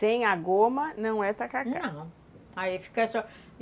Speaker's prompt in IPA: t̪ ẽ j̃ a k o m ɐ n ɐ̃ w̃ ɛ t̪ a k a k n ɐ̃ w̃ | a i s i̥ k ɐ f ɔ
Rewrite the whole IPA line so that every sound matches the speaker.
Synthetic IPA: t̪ ẽ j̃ a ɡ o m ɐ n ɐ̃ w̃ ɛ t̪ a k a k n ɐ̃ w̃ | a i f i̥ k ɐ s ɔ